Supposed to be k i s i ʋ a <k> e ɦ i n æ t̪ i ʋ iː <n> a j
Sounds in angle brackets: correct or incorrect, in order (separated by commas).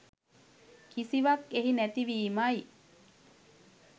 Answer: correct, incorrect